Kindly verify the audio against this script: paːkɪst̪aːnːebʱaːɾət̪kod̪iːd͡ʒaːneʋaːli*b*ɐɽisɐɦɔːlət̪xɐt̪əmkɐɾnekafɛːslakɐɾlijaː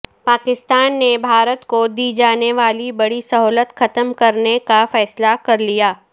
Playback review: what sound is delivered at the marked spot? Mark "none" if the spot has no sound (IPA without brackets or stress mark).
b